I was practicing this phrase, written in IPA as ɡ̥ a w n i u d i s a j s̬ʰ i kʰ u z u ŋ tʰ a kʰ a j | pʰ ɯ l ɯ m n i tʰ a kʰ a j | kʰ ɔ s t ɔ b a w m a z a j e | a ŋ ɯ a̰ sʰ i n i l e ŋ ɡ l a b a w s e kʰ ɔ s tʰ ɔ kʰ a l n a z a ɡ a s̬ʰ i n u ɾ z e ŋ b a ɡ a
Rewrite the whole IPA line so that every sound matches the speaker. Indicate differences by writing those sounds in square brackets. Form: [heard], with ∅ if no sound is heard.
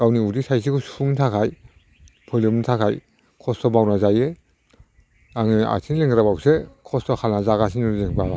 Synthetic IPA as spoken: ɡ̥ a w n i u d i s a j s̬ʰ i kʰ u [s] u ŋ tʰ a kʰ a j | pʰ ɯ l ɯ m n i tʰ a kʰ a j | kʰ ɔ s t ɔ b a w [n] a z a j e | a ŋ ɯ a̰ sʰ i n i l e ŋ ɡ [ɾ] a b a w s e kʰ ɔ s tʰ ɔ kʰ a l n a z a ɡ a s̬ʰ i n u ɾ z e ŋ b a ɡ a